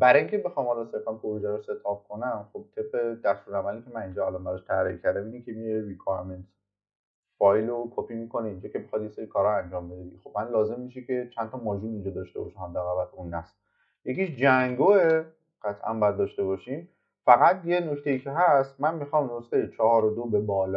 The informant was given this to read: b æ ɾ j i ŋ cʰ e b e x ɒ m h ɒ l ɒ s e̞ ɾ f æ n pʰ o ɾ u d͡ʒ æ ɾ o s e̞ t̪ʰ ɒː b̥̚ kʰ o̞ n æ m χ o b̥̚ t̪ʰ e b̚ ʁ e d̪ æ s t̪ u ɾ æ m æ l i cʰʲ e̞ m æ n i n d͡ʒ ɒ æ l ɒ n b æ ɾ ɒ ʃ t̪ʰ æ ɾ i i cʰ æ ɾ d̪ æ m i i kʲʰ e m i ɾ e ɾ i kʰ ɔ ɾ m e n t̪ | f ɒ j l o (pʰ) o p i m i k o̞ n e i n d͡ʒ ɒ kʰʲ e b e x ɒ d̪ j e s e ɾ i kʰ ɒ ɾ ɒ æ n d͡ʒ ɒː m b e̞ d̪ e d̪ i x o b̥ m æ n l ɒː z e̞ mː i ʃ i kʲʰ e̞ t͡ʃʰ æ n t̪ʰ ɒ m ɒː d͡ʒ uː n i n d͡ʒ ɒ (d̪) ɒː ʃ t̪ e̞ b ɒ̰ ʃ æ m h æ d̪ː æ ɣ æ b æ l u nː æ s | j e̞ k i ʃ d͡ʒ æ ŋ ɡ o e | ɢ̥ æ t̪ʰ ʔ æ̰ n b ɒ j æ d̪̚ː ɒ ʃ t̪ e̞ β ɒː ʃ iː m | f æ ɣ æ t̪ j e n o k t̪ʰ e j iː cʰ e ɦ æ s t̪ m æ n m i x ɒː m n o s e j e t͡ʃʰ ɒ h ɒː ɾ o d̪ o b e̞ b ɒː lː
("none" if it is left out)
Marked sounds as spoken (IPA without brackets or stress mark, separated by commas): kʰ, d̪